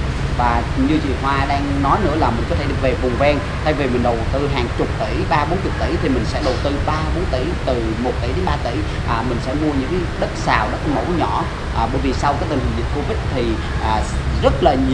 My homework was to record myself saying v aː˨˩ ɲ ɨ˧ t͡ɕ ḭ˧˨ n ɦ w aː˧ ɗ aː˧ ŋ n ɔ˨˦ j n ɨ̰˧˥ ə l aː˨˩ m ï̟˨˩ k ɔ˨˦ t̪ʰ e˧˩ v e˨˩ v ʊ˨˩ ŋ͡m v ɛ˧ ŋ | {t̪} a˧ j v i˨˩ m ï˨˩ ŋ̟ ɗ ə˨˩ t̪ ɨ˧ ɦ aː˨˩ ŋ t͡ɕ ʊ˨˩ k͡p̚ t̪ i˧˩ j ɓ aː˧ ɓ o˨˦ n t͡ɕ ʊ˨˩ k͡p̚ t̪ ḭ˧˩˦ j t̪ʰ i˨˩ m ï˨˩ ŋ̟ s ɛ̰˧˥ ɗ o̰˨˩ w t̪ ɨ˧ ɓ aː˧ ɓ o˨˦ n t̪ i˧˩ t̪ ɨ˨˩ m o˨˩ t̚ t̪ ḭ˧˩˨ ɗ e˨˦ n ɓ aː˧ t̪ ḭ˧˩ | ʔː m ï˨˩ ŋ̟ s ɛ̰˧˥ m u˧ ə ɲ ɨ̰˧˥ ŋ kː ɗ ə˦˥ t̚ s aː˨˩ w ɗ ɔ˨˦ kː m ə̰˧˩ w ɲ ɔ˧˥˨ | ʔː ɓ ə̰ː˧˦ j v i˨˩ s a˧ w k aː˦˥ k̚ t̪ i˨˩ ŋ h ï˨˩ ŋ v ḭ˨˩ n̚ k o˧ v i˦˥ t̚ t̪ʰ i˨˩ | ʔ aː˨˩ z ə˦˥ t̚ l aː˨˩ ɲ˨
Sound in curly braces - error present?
yes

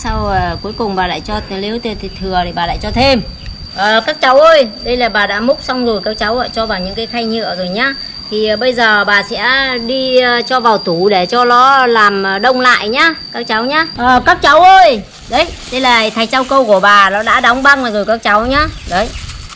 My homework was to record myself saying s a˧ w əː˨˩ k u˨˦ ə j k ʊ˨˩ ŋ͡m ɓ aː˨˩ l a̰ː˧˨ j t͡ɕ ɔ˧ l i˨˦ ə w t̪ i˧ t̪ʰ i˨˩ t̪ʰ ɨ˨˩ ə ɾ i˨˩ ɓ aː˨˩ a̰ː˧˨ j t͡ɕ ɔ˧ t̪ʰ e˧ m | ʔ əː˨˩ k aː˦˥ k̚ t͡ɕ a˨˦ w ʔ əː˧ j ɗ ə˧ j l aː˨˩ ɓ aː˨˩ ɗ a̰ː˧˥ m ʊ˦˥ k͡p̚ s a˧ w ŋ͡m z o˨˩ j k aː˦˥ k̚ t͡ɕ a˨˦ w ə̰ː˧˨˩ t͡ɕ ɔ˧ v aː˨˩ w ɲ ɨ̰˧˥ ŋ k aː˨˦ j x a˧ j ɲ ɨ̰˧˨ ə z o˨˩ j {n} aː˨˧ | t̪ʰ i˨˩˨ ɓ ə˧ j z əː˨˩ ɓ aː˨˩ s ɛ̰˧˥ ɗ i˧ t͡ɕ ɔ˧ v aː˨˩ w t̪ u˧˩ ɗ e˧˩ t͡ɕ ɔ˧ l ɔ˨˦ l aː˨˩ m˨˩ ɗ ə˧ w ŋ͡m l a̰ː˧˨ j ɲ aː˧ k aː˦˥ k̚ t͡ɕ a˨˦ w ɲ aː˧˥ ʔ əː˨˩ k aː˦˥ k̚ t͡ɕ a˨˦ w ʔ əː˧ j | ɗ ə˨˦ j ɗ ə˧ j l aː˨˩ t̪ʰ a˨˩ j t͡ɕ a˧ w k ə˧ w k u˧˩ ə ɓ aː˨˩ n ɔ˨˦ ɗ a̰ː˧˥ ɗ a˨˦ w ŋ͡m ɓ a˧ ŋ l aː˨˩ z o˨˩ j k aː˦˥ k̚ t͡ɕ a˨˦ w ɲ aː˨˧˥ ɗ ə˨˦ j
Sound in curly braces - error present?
yes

